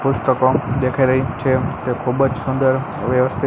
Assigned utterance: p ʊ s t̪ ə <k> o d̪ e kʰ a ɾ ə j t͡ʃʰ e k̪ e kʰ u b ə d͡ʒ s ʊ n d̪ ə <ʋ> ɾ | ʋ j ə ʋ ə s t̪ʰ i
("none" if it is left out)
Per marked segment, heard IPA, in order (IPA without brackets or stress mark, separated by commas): k, none